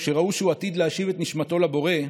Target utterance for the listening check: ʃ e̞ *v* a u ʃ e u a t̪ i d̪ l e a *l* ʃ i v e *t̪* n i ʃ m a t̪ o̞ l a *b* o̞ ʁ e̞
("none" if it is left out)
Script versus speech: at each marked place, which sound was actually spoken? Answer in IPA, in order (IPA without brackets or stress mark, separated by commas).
ʁ, none, t̪, b